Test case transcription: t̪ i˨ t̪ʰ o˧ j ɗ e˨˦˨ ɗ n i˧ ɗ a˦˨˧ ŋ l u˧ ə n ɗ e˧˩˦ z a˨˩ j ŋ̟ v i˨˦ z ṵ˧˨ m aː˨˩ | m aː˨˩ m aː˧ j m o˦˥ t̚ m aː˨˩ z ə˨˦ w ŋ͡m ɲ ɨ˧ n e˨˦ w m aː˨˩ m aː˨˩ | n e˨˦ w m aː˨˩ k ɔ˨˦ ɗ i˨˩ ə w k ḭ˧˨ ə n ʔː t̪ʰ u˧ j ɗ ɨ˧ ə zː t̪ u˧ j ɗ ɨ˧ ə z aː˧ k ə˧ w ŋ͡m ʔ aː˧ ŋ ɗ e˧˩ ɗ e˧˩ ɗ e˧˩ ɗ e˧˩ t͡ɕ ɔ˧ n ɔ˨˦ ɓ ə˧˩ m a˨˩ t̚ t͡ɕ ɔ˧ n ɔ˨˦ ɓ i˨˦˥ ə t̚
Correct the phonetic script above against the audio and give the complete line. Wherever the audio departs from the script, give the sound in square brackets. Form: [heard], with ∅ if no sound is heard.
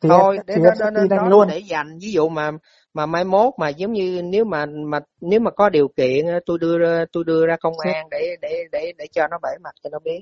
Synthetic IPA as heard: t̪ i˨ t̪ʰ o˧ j ɗ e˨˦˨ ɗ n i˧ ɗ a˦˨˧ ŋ l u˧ ə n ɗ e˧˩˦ z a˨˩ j ŋ̟ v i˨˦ z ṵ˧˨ m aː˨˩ | m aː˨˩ m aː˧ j m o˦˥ t̚ m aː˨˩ z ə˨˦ w ŋ͡m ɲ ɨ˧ n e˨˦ w m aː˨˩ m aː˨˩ | n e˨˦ w m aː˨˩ k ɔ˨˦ ɗ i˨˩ ə w k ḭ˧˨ ə n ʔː [t̪] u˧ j ɗ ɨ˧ ə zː t̪ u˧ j ɗ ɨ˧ ə z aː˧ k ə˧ w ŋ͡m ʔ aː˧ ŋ ɗ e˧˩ ɗ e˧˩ ɗ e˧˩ ɗ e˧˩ t͡ɕ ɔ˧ n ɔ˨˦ ɓ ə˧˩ m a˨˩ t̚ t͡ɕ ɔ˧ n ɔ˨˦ ɓ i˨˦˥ ə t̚

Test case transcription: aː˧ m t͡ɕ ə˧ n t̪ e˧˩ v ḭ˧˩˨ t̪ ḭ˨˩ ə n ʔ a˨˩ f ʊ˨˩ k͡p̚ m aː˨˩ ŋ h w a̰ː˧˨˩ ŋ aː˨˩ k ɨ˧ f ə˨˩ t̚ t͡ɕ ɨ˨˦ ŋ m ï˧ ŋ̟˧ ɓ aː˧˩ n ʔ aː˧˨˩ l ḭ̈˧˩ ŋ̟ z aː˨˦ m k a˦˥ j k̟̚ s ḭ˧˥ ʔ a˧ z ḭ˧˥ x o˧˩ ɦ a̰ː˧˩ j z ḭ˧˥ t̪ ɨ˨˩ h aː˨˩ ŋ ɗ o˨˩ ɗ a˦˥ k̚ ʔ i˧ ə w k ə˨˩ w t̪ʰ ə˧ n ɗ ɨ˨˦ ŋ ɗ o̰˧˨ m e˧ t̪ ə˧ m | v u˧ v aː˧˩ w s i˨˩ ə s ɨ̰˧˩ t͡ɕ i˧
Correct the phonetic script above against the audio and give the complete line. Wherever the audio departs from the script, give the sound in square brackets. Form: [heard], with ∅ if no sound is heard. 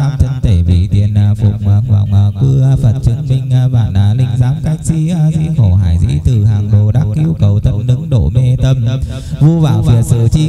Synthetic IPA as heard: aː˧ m t͡ɕ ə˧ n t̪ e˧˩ v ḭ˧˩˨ t̪ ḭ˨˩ ə n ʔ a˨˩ f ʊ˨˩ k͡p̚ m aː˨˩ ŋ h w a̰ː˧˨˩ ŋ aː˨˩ k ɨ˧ f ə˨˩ t̚ t͡ɕ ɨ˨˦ ŋ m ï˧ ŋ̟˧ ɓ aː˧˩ n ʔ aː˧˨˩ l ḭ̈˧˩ ŋ̟ z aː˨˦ m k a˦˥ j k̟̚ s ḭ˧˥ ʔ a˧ z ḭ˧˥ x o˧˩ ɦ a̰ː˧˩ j z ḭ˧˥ t̪ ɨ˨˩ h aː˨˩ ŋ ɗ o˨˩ ɗ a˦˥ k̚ ʔ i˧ ə w k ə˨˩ w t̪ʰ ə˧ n ɗ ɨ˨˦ ŋ ɗ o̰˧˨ m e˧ t̪ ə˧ m | v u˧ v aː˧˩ w [f] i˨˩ ə s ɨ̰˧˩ t͡ɕ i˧

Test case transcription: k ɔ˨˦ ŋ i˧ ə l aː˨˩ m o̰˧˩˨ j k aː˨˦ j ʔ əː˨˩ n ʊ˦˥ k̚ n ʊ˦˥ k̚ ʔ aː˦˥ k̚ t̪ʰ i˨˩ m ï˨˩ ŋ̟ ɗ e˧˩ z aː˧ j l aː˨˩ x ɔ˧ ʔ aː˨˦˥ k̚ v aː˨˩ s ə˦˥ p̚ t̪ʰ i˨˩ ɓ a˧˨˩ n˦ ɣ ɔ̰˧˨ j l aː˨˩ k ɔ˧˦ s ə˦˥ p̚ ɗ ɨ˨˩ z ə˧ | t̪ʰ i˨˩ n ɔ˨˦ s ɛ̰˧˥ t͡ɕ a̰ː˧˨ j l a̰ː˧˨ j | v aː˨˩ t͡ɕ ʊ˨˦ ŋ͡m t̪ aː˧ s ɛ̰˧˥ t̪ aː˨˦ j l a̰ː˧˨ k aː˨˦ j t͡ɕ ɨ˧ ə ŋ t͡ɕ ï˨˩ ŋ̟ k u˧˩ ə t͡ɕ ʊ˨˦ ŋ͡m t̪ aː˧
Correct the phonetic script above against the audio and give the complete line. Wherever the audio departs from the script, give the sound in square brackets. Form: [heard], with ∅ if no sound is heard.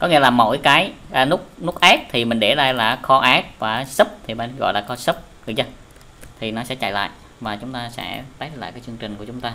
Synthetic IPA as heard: k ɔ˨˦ ŋ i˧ ə l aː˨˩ m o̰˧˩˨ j k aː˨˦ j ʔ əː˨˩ n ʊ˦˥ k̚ n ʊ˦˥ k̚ ʔ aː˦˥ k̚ t̪ʰ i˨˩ m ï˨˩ ŋ̟ ɗ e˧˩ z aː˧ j l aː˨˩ x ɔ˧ ʔ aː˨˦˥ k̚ v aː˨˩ s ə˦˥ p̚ t̪ʰ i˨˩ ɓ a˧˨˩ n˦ ɣ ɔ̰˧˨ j l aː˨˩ k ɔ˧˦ s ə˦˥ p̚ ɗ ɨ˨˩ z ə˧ | t̪ʰ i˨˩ n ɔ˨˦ s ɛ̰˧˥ t͡ɕ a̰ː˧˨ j l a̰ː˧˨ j | v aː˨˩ t͡ɕ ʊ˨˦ ŋ͡m t̪ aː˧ s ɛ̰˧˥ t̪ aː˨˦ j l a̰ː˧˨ k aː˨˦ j t͡ɕ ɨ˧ ə ŋ t͡ɕ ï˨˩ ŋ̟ k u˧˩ ə t͡ɕ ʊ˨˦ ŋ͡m t̪ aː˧

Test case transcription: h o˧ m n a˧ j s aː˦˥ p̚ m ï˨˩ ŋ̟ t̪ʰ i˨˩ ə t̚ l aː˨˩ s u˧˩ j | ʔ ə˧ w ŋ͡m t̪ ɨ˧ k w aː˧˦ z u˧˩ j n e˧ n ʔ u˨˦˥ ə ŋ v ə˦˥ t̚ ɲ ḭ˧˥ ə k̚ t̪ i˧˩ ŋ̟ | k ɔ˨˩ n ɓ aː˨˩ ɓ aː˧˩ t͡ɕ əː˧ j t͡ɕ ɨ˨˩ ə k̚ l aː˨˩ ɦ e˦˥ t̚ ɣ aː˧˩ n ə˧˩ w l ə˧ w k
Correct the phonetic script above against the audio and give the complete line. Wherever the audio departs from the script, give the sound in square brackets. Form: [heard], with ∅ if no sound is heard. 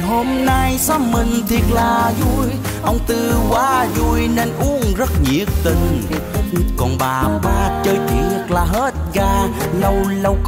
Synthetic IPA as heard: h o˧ m n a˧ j s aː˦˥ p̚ m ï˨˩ ŋ̟ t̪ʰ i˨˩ ə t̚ l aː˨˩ [z] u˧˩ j | ʔ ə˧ w ŋ͡m t̪ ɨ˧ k w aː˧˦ z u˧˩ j n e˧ n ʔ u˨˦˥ ə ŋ [z] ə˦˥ t̚ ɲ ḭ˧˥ ə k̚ t̪ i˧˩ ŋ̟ | k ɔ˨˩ n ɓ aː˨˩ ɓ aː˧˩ t͡ɕ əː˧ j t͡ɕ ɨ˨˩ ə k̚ l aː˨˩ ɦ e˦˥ t̚ ɣ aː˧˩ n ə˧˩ w l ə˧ w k

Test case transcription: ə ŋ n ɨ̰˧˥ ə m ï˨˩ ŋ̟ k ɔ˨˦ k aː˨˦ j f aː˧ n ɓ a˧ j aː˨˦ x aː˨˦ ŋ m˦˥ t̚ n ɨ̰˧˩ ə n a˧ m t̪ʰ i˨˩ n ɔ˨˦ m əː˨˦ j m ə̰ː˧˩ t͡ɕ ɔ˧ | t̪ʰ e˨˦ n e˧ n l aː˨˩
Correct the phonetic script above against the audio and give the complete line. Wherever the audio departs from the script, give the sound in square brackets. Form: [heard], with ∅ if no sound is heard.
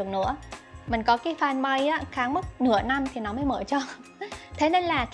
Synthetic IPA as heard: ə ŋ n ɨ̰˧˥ ə m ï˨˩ ŋ̟ k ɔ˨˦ k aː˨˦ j f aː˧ n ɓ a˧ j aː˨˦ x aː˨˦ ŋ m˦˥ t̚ n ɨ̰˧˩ ə n a˧ m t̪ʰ i˨˩ n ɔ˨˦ m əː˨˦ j m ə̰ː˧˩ t͡ɕ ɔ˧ | t̪ʰ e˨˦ n e˧ n l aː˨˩

